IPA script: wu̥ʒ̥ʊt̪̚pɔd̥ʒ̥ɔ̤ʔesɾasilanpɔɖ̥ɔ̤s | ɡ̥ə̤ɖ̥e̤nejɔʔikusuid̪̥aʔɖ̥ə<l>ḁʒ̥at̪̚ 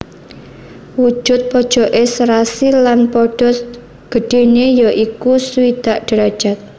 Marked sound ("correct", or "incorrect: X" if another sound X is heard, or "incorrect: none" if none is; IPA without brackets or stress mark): incorrect: ɾ